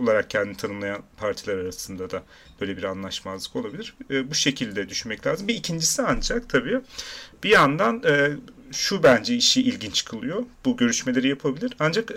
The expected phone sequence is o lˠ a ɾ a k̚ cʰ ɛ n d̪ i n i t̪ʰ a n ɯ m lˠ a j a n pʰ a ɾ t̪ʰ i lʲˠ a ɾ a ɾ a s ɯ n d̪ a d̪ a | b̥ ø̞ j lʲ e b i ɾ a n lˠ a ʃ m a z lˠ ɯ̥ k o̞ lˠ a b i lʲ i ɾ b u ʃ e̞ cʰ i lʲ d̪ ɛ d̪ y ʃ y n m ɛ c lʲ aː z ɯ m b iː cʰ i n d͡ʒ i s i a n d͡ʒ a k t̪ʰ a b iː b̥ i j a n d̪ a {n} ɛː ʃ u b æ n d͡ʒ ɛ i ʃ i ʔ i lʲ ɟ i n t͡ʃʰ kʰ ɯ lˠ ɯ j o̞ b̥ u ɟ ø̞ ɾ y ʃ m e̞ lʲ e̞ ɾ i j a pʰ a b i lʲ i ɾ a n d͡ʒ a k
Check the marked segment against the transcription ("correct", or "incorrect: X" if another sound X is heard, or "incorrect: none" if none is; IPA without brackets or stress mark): correct